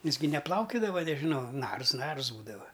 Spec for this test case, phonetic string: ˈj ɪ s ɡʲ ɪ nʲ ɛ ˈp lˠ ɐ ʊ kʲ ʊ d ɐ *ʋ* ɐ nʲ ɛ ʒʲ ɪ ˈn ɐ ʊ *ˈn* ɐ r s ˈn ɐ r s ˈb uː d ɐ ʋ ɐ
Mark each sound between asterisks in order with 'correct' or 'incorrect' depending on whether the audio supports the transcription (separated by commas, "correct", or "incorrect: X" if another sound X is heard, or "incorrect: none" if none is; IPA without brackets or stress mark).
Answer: correct, correct